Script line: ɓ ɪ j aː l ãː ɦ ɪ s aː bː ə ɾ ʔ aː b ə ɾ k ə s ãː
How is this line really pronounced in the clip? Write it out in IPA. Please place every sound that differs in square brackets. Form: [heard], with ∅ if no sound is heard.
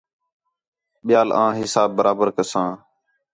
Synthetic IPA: ɓ ɪ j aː l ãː ɦ ɪ s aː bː ə ɾ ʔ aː b ə ɾ k ə s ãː